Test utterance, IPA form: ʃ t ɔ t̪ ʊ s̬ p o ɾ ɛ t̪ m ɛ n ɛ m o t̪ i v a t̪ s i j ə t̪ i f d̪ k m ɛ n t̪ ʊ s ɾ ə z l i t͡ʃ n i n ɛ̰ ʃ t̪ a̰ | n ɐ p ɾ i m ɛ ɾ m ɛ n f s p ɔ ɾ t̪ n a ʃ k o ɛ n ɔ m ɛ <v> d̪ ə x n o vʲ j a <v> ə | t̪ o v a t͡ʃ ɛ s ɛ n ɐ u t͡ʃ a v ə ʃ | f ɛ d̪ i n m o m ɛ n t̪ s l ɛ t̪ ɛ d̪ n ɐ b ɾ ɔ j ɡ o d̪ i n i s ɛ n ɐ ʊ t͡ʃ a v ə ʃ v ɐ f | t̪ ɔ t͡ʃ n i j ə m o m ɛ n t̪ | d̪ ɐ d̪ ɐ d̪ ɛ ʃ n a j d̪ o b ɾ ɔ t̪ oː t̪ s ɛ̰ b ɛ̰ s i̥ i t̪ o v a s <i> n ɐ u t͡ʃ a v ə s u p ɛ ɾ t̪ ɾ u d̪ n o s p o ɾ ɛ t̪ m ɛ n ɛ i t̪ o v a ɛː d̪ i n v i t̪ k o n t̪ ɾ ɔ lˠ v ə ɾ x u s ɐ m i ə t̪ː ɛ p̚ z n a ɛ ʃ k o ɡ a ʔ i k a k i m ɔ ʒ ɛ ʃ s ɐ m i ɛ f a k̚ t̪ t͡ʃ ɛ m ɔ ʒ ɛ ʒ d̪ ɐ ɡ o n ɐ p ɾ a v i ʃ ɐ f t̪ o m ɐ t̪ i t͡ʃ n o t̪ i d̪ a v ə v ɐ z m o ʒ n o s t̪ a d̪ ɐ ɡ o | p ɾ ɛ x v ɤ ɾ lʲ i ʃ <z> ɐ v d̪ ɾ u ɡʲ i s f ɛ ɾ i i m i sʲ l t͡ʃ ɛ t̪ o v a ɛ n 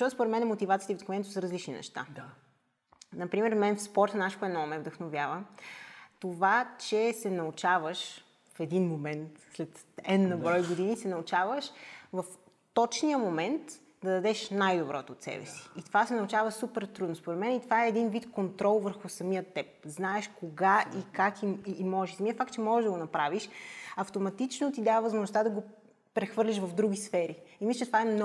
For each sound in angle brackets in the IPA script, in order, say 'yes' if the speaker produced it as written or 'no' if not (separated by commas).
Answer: yes, yes, no, no